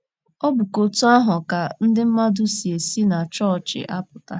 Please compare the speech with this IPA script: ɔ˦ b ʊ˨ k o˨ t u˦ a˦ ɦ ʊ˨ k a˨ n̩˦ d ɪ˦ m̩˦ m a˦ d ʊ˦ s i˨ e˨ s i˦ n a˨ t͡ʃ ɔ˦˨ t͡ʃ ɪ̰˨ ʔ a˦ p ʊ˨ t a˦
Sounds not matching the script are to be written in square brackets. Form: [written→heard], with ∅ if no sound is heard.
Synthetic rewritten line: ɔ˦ b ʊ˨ k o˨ t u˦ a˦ ɦ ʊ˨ k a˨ n̩˦ d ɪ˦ m̩˦ m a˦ d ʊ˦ s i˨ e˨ s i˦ n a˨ t͡ʃ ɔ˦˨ t͡ʃ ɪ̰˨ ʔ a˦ p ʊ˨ t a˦